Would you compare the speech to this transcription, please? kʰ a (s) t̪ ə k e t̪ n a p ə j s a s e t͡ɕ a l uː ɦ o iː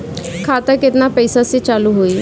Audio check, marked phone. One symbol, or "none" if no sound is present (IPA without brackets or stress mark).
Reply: none